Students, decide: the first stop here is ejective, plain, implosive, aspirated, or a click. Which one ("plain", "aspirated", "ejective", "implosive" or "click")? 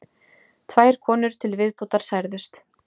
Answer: aspirated